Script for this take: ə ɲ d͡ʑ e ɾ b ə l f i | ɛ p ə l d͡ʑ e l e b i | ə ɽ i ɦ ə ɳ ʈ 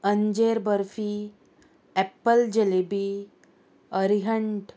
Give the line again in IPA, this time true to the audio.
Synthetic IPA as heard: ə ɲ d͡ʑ e ɾ b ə ɾ f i | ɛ p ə l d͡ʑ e l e b i | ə ɾ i ɦ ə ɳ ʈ